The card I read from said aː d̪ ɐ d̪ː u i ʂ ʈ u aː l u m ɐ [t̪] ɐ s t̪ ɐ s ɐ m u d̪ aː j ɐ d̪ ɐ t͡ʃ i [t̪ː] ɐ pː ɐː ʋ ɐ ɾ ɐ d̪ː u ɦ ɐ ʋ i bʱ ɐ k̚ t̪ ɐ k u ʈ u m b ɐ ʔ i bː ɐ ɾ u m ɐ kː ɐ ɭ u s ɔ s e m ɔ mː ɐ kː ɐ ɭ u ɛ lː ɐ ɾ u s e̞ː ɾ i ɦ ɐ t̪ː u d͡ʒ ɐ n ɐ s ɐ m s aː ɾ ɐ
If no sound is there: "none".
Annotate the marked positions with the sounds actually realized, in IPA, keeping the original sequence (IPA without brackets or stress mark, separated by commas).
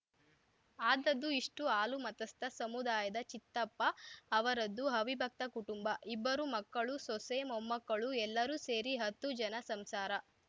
t̪, t̪ː